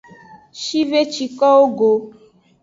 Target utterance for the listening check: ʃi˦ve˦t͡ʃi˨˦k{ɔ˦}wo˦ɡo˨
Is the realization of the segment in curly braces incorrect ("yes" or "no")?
no